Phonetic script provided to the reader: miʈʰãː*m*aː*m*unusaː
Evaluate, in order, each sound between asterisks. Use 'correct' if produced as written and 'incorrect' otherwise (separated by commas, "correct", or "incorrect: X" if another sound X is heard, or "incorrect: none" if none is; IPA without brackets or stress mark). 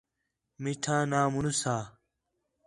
incorrect: n, correct